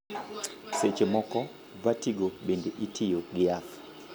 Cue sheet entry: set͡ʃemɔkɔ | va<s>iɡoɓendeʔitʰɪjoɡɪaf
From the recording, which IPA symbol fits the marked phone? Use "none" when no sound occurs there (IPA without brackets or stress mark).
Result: t